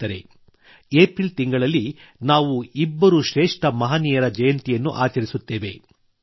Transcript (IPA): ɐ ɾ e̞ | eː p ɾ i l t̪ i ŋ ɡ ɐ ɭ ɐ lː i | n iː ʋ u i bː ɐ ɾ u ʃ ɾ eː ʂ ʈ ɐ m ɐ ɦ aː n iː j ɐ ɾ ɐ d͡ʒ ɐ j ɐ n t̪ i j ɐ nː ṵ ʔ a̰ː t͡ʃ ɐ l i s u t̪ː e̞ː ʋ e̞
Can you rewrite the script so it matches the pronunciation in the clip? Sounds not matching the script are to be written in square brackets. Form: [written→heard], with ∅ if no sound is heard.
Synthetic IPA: ɐ ɾ e̞ | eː p ɾ i l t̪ i ŋ ɡ ɐ ɭ ɐ lː i | n [iː→aː] ʋ u i bː ɐ ɾ u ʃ ɾ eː ʂ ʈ ɐ m ɐ ɦ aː n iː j ɐ ɾ ɐ d͡ʒ ɐ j ɐ n t̪ i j ɐ nː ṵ ʔ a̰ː t͡ʃ ɐ [l→ɾ] i s u t̪ː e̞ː ʋ e̞